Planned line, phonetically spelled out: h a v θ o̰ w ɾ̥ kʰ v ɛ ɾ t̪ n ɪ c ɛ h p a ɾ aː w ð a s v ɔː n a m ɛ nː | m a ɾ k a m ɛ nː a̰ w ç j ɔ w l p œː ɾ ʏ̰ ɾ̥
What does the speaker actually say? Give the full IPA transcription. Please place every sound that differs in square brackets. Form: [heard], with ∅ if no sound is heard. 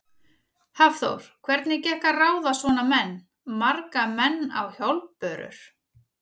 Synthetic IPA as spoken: h a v θ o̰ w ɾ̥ kʰ v ɛ ɾ t̪ n ɪ c ɛ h [k] a [r] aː w ð a s v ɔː n a m ɛ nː | m a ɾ k a m ɛ nː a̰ w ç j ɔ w l p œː ɾ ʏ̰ ɾ̥